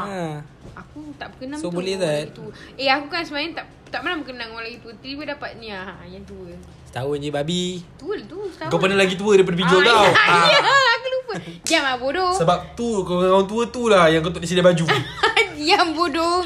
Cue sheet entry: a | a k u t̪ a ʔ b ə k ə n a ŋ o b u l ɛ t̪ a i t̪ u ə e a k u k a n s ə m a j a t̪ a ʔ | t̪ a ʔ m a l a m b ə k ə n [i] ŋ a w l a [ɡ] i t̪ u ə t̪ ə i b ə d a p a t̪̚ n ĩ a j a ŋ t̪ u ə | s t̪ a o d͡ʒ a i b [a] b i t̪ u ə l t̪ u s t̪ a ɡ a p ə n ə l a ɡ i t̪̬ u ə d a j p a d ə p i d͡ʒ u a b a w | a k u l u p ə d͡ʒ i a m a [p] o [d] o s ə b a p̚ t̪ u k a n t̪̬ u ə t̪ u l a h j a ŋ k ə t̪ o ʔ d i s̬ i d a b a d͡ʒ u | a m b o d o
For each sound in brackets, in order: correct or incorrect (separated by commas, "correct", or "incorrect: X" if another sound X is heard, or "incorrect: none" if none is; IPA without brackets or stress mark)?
incorrect: a, correct, correct, incorrect: b, correct